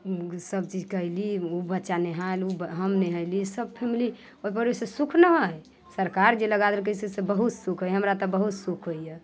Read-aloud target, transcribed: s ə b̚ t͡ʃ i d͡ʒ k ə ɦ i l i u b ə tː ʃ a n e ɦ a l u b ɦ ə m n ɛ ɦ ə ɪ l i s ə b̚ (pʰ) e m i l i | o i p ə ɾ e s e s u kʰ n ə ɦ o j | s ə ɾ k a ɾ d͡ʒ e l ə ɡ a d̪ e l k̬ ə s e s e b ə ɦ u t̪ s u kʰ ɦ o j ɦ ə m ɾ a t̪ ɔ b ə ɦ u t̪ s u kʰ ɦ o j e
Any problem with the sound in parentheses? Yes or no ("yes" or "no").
no